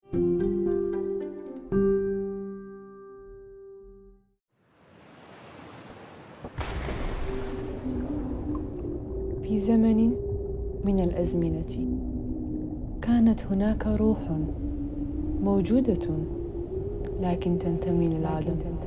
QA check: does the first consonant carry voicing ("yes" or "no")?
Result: no